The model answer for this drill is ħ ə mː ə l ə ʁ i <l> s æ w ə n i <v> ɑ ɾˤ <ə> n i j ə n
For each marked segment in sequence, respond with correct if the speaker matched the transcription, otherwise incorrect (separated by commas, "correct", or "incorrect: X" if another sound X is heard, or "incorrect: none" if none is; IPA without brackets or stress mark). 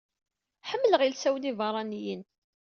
correct, correct, incorrect: ɑ